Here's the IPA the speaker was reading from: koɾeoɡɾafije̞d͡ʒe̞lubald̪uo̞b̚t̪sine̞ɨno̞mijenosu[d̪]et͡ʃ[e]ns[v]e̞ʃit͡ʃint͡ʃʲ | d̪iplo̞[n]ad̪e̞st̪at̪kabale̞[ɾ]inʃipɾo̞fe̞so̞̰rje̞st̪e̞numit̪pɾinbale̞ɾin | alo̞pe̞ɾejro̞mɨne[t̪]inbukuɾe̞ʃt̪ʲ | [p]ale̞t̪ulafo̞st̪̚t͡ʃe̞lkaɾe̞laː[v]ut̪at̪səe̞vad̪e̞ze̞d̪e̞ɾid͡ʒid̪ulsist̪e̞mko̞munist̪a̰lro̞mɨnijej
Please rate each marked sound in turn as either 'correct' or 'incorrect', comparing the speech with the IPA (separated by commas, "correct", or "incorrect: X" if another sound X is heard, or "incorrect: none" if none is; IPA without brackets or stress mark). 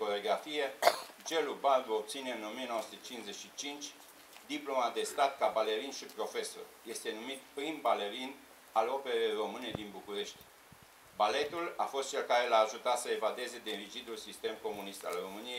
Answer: incorrect: t̪, incorrect: i, incorrect: z, incorrect: m, correct, incorrect: d̪, incorrect: b, incorrect: ʒ